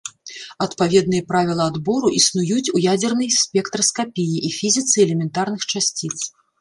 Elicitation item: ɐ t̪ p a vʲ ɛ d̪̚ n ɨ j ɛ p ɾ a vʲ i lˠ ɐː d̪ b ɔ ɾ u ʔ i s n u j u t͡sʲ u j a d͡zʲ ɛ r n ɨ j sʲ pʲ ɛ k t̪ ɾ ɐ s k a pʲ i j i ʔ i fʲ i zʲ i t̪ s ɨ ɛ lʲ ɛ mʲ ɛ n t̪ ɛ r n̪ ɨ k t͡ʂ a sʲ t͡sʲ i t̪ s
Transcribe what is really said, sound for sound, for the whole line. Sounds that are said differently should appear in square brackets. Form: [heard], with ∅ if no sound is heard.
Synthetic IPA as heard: ɐ t̪ p a vʲ ɛ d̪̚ n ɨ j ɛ p ɾ a vʲ i lˠ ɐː d̪ b ɔ ɾ u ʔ i s n u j u t͡sʲ u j a d͡zʲ ɛ r n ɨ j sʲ pʲ ɛ k t̪ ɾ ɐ s k a pʲ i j i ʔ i fʲ i zʲ i t̪ s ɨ ɛ lʲ ɛ mʲ ɛ n t̪ [a] r n̪ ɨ [x] t͡ʂ a sʲ t͡sʲ i t̪ s